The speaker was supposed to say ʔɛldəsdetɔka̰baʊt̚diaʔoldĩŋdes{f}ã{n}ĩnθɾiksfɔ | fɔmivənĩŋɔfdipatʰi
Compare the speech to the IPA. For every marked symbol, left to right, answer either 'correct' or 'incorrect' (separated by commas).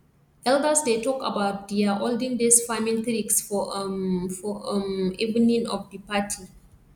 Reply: correct, incorrect